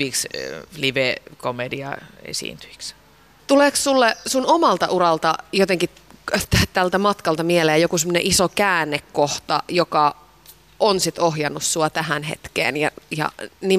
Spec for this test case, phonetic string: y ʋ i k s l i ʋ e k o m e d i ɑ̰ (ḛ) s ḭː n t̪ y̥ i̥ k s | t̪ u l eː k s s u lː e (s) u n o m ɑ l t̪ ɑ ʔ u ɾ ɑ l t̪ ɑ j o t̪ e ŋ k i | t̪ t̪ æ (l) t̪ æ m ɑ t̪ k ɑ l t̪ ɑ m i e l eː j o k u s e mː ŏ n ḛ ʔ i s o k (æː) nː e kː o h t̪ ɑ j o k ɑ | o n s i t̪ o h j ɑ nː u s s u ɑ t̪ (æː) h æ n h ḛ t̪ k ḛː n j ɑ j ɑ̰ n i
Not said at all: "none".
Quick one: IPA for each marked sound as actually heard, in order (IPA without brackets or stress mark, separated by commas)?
ḛ, s, l, æː, æ